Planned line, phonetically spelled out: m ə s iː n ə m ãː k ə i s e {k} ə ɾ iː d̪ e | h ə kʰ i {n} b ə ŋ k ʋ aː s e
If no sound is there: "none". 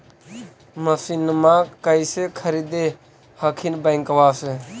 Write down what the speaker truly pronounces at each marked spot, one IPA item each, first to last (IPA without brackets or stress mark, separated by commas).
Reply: kʰ, n